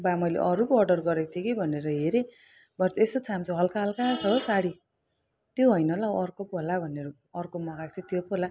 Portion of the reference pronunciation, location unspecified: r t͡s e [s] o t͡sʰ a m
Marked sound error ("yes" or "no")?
no